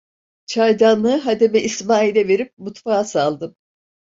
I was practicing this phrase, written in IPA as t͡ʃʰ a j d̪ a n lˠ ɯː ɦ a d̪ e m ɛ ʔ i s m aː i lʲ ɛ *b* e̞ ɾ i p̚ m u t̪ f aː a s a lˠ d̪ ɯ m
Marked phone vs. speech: incorrect: v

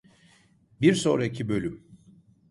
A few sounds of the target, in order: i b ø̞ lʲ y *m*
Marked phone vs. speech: correct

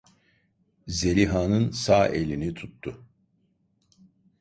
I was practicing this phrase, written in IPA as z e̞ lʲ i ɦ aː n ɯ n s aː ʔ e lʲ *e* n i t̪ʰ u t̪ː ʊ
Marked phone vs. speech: incorrect: i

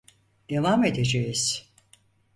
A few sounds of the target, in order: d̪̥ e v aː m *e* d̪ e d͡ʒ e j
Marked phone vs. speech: correct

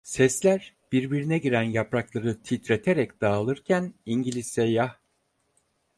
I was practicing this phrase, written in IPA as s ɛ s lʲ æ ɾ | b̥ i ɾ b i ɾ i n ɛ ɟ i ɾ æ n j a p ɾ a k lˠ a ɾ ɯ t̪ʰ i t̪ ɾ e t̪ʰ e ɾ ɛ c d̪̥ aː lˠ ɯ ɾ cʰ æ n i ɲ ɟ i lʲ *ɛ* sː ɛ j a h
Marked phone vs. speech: incorrect: i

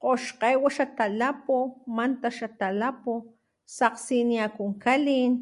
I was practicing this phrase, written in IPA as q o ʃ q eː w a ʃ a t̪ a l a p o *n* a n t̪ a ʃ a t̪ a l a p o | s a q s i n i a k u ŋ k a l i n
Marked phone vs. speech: incorrect: m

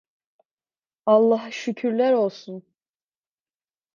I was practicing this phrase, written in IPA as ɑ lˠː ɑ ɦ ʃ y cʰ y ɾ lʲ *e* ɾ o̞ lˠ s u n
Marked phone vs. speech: incorrect: æ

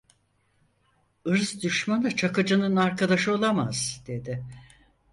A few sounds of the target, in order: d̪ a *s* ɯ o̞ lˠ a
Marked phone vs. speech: incorrect: ʃ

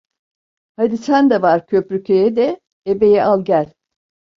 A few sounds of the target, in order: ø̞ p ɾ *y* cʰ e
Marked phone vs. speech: correct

